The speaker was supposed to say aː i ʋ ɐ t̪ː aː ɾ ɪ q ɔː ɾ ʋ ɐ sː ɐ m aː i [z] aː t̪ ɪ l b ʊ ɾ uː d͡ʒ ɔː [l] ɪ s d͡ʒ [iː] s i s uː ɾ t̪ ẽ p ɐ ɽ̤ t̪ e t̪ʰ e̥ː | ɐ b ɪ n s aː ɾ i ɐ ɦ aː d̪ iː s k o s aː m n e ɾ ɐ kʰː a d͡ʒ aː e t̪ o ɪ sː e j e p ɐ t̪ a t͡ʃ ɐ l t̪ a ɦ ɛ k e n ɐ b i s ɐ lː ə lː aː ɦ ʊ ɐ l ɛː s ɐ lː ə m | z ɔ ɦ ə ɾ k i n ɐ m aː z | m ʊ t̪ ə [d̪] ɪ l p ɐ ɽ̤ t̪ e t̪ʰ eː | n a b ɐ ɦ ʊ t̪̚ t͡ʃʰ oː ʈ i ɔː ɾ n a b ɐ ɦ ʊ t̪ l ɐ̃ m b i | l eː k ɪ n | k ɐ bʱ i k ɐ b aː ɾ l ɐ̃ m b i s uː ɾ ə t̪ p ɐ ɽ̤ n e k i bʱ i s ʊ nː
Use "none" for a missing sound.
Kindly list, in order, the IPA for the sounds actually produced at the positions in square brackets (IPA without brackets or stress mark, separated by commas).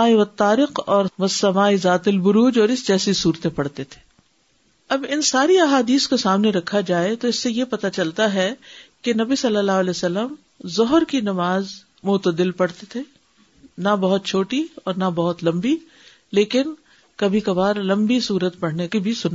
z, ɾ, ɛː, d̪